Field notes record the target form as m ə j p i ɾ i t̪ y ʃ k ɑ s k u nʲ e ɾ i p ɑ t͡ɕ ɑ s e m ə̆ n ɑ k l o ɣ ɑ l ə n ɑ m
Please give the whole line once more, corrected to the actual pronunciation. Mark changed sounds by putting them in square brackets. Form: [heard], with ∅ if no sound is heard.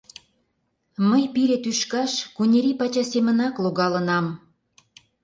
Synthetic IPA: m ə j p i ɾ [e] t̪ y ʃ k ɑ [ʃ] k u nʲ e ɾ i p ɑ t͡ɕ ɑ s e m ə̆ n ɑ k l o ɣ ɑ l ə n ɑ m